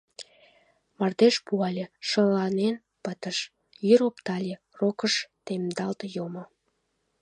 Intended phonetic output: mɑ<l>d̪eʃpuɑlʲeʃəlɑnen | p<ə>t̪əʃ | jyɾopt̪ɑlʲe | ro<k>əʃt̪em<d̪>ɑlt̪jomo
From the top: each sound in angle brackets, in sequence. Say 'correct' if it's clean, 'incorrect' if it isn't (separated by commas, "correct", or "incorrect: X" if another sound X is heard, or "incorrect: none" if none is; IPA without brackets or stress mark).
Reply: incorrect: r, correct, correct, correct